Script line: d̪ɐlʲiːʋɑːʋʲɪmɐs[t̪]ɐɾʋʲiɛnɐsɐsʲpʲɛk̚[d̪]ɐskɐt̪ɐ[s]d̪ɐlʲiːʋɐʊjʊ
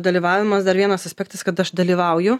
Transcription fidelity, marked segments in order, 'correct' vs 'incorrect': incorrect, incorrect, incorrect

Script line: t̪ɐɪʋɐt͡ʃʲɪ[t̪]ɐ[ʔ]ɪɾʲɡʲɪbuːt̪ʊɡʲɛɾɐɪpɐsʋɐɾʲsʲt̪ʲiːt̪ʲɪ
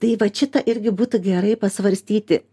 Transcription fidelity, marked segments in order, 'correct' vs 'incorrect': correct, correct

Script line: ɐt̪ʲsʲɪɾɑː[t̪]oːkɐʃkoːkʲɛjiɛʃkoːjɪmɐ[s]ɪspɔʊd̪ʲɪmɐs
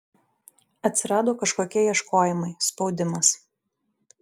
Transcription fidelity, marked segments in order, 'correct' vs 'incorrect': incorrect, incorrect

